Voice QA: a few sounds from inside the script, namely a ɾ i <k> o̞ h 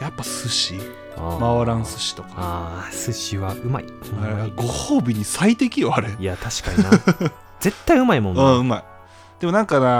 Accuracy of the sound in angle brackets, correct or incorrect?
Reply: incorrect